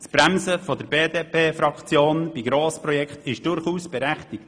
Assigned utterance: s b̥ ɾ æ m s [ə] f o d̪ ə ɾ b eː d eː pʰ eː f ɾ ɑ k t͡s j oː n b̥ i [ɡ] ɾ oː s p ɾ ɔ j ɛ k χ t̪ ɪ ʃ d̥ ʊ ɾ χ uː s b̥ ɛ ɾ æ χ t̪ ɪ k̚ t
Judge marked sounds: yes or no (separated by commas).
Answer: yes, yes